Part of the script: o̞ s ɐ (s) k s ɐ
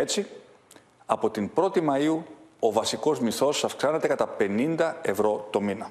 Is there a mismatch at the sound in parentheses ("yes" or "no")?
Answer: yes